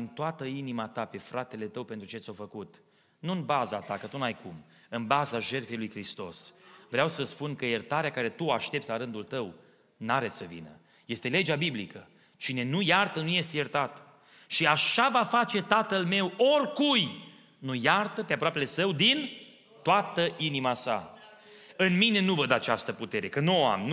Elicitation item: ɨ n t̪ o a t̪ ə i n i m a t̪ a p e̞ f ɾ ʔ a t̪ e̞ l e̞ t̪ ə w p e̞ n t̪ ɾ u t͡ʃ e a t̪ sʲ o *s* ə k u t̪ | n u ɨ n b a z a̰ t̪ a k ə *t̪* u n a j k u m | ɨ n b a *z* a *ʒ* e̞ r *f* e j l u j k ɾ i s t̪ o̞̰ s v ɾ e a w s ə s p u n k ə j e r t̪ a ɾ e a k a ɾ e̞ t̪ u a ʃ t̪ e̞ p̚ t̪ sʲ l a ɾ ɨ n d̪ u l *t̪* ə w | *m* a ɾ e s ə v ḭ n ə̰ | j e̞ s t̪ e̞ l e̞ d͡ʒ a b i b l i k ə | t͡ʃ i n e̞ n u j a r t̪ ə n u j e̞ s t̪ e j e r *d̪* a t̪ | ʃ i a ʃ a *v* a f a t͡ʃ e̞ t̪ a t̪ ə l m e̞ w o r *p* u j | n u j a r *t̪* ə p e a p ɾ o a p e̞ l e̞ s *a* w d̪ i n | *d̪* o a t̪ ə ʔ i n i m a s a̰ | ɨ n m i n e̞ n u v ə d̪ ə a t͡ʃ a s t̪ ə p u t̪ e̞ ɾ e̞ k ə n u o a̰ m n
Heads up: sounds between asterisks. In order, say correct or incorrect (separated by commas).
incorrect, correct, correct, correct, correct, correct, incorrect, incorrect, correct, incorrect, correct, incorrect, incorrect